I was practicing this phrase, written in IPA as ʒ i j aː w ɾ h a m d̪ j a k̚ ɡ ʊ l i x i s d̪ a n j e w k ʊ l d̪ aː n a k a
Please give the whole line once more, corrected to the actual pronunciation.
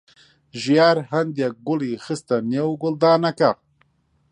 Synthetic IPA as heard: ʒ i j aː ɾ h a n d̪ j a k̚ ɡ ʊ l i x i s t̪ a n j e w ɡ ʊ l d̪ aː n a k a